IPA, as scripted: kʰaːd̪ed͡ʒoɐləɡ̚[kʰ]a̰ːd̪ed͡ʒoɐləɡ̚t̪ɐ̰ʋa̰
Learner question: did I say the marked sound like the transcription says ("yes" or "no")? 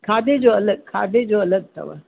yes